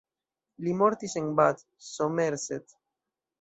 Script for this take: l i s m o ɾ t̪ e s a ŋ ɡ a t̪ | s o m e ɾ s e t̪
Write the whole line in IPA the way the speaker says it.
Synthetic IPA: l i m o ɾ t̪ i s e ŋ b a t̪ | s o m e ɾ s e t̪